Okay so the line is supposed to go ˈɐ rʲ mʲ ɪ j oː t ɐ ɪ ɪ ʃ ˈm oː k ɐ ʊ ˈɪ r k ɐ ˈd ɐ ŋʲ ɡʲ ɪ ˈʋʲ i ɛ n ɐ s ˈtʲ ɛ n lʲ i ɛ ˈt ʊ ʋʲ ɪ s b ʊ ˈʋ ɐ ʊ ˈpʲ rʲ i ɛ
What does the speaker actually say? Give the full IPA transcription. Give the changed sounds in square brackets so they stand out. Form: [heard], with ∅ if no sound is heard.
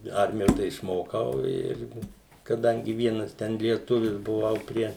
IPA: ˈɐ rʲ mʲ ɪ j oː t ɐ ɪ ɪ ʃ ˈm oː k ɐ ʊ ˈɪ r k ɐ ˈd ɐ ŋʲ ɡʲ ɪ ˈʋʲ i ɛ n ɐ s ˈtʲ ɛ n lʲ i ɛ ˈt ʊ ʋʲ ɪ s b ʊ ˈʋ ɐ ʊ ˈpʲ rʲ i ɛ